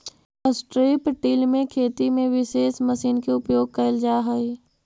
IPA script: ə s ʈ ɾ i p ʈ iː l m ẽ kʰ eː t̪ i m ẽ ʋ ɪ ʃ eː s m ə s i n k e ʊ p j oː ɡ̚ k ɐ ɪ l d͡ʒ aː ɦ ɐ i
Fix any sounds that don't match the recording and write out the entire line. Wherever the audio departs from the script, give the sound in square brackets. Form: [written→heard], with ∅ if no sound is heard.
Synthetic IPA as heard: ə s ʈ ɾ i p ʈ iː l m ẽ kʰ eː t̪ i m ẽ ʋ ɪ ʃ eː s m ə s [i→iː] n k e ʊ p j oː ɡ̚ k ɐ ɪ l d͡ʒ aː ɦ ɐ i